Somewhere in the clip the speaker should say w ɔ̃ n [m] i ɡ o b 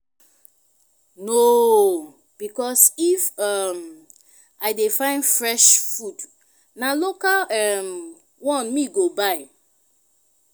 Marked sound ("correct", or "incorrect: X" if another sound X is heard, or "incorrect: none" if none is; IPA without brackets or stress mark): correct